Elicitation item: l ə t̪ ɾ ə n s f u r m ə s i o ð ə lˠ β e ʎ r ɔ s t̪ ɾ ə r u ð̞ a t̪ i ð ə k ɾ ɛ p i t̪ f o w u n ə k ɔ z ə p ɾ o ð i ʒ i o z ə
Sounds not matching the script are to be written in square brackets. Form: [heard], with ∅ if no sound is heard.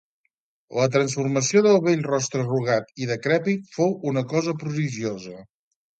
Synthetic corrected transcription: l ə t̪ ɾ ə n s f u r m ə s i o ð ə lˠ β e ʎ r ɔ s t̪ ɾ ə r u [ɣ̞] a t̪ i ð ə k ɾ ɛ p i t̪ f o w u n ə k ɔ z ə p ɾ [u] ð i ʒ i o z ə